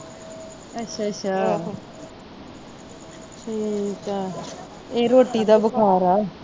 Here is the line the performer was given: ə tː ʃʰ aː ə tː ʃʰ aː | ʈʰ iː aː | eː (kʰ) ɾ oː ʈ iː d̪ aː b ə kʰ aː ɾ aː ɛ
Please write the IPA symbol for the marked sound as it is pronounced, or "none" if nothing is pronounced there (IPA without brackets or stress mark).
none